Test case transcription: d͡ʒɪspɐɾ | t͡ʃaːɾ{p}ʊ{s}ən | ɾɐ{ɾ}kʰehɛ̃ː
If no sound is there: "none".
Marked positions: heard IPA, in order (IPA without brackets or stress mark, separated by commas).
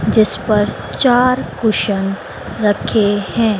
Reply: k, ʃ, none